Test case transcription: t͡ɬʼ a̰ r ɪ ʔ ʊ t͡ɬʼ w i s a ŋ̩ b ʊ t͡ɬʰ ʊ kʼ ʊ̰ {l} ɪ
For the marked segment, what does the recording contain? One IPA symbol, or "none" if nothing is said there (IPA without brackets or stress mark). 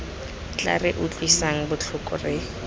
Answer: r